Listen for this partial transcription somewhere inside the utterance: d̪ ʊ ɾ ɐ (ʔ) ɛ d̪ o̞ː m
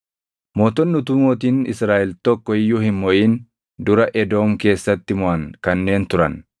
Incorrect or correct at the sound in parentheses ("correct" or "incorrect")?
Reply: correct